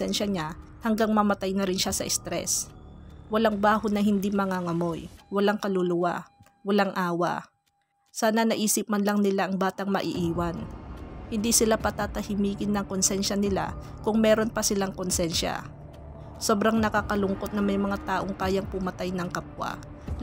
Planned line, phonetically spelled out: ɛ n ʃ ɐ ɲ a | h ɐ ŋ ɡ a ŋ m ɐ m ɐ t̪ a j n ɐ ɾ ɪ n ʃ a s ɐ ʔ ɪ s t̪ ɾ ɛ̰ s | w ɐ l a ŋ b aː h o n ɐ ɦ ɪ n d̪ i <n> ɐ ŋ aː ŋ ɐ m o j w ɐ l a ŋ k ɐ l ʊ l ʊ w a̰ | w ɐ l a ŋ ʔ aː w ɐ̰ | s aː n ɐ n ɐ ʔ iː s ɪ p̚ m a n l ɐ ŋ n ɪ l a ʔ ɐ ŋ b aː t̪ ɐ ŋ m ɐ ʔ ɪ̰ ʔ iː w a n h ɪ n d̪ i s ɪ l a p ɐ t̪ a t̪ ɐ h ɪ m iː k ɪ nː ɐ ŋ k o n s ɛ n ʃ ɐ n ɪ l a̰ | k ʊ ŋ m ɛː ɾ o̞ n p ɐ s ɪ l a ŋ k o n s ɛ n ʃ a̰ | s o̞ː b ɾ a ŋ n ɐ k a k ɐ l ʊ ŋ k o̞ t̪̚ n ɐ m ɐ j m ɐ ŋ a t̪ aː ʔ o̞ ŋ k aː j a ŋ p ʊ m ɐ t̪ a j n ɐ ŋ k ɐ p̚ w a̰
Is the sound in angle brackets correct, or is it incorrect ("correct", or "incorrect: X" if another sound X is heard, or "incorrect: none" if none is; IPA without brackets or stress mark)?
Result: incorrect: m